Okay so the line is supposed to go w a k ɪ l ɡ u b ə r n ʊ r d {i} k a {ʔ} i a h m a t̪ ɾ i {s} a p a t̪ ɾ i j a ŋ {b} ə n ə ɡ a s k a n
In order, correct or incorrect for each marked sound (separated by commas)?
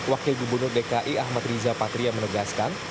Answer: incorrect, correct, incorrect, incorrect